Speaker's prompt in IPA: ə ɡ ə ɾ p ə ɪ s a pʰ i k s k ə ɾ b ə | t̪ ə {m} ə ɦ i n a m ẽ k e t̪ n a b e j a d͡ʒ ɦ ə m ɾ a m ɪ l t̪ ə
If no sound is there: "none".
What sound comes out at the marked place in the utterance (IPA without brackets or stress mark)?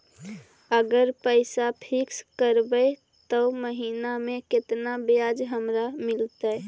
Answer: m